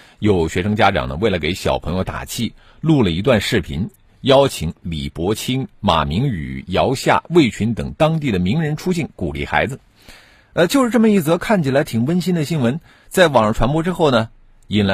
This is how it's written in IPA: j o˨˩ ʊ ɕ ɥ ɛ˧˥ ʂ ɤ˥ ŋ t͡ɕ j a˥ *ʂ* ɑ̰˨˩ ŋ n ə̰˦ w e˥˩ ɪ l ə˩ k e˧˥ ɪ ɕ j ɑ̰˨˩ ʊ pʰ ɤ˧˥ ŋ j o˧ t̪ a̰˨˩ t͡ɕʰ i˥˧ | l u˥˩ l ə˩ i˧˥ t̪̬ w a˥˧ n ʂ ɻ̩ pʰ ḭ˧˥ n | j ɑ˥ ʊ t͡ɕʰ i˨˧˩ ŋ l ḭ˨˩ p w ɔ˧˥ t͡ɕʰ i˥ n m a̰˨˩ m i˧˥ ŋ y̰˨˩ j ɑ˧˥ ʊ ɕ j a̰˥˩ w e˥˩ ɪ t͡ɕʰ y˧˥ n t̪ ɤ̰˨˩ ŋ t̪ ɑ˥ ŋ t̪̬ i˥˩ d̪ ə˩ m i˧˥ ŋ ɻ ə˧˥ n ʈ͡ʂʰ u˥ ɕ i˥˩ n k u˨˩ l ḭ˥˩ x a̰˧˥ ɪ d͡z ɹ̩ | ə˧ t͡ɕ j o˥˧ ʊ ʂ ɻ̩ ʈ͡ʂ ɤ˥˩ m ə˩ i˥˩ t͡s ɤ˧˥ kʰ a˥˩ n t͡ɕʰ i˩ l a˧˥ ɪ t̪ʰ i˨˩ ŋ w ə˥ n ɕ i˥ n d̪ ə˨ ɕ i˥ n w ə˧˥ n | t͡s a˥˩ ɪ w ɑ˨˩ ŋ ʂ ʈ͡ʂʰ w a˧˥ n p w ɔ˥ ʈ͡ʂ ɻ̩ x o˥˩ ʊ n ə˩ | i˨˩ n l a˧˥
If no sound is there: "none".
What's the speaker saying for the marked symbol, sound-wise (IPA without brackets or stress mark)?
ʈ͡ʂ